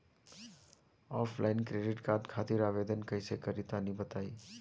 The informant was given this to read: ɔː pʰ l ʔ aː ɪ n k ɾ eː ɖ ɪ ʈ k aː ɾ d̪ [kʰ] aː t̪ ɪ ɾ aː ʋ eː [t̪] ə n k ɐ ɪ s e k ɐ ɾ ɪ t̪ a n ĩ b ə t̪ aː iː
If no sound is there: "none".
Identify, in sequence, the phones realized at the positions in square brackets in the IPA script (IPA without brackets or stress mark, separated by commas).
kʰ, d̪